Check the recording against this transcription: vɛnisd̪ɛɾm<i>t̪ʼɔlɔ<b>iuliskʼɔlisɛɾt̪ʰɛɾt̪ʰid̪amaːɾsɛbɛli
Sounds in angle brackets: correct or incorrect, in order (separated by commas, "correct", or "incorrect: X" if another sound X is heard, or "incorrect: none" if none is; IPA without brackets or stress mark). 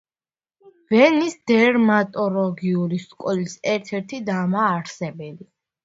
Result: incorrect: a, incorrect: ɡ